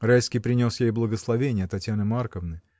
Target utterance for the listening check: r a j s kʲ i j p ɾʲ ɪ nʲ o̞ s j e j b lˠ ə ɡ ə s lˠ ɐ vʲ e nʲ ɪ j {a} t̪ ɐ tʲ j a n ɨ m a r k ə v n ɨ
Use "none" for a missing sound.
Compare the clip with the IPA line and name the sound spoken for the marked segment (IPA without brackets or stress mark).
ə